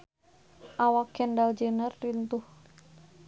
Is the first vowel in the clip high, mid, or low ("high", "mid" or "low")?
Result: low